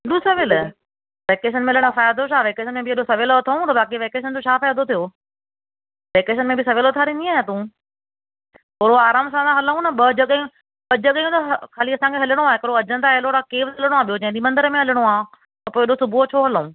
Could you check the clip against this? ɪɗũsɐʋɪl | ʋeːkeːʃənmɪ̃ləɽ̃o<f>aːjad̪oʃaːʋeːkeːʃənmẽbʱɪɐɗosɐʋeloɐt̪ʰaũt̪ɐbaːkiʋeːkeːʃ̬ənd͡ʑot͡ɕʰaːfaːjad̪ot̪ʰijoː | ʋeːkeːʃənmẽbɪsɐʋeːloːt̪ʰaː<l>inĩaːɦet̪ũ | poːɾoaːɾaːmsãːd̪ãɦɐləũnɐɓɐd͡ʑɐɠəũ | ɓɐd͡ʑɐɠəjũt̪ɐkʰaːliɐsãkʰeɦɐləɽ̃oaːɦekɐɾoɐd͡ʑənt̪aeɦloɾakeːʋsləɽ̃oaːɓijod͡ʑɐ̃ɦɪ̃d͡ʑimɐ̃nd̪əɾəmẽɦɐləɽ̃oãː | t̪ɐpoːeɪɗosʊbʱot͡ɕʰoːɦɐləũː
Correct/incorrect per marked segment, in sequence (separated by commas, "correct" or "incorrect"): correct, incorrect